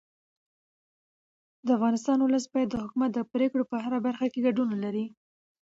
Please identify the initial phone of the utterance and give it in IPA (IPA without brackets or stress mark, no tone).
d̪